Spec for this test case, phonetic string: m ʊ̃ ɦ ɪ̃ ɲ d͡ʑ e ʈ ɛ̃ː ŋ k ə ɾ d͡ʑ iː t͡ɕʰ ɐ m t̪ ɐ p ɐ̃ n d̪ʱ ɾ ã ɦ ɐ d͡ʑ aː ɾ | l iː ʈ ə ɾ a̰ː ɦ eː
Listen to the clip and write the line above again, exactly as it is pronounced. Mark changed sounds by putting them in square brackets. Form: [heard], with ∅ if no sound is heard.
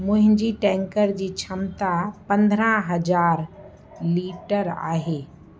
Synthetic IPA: m ʊ̃ ɦ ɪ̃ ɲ d͡ʑ [i] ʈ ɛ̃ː ŋ k ə ɾ d͡ʑ iː t͡ɕʰ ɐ m t̪ [a] p ɐ̃ n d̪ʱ ɾ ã ɦ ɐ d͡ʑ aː ɾ | l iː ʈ ə ɾ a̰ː ɦ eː